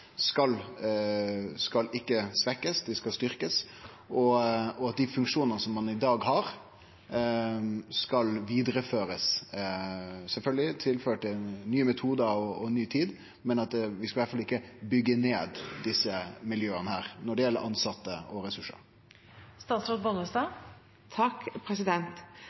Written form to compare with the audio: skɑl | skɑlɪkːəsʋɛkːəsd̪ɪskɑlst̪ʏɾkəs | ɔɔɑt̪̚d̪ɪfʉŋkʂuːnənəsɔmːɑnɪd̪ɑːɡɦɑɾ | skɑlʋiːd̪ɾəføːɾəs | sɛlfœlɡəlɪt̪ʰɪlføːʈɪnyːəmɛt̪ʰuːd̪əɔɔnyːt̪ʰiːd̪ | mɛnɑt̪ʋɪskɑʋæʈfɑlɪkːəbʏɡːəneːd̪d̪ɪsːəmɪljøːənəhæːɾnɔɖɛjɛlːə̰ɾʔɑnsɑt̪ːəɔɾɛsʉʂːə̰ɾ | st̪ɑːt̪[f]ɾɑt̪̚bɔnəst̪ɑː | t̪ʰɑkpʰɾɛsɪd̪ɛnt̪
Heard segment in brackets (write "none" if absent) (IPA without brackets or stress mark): s